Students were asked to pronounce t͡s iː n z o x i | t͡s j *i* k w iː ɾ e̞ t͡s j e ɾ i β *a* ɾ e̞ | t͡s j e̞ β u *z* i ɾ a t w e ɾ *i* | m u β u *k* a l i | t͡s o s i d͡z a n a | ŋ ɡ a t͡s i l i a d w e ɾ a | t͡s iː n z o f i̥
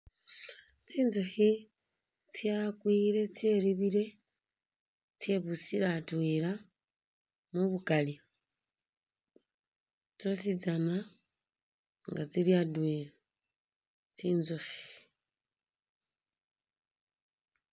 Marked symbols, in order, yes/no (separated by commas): no, no, no, no, yes